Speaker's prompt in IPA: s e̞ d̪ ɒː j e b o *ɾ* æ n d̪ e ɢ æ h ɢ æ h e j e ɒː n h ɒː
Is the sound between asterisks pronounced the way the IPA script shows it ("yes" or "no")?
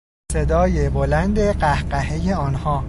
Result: no